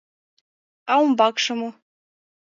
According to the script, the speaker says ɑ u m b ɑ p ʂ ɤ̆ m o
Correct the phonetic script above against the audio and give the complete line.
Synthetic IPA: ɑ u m b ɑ k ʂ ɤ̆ m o